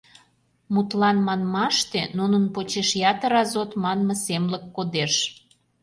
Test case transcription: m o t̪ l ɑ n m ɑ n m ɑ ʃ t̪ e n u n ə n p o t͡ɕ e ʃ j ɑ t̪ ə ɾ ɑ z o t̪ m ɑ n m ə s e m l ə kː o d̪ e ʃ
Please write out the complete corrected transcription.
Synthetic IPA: m u t̪ l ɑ n m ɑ n m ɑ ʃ t̪ e n u n ə n p o t͡ɕ e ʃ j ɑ t̪ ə ɾ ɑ z o t̪ m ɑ n m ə s e m l ə kː o d̪ e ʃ